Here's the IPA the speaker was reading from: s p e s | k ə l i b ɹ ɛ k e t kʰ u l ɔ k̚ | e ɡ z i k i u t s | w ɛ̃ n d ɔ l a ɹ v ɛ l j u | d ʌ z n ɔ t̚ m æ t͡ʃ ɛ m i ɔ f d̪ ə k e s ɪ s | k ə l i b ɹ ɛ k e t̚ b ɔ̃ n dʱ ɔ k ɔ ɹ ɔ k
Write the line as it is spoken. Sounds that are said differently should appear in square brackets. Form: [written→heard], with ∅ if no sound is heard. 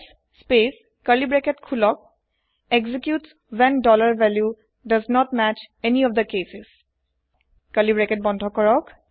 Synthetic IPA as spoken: s p e s | k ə l i b ɹ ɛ k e t kʰ u l ɔ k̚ | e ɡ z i k [i→j] u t s | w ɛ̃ n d ɔ l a ɹ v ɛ l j u | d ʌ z n ɔ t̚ m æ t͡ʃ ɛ [m→n] i ɔ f d̪ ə k e s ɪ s | k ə l i b ɹ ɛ k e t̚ b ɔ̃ n dʱ ɔ k ɔ ɹ ɔ k